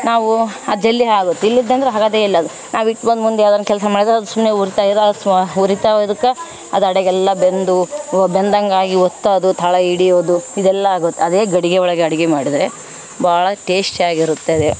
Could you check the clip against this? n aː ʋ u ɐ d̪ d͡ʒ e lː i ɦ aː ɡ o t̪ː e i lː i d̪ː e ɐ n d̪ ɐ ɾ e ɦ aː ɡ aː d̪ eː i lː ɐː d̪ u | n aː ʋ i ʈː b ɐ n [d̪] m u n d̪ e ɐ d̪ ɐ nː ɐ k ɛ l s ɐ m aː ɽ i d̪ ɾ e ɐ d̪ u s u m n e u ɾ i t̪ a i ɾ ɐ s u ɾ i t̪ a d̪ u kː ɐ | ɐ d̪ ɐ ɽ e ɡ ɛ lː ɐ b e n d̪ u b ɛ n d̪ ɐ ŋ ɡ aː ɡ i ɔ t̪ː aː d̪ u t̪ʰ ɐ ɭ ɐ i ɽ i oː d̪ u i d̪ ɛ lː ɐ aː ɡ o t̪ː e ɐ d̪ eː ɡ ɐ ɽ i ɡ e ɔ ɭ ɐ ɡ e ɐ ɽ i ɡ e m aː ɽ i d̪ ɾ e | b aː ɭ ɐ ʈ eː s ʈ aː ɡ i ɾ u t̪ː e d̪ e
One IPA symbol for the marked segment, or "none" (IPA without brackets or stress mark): d̪